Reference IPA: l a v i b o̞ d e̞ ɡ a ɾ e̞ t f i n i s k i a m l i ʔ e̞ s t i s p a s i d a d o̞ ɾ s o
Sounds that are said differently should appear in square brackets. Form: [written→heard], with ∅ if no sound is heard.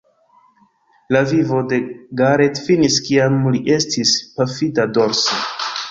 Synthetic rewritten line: l a v i [b→v] o̞ d e̞ ɡ a ɾ e̞ t f i n i s k i a m l i ʔ e̞ s t i s p a [s→f] i d a d o̞ ɾ s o